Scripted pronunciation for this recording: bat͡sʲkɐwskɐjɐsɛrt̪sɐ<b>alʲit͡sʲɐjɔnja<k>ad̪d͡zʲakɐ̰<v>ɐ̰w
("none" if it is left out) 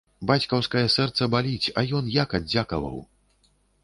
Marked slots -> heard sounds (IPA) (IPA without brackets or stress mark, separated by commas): b, k, v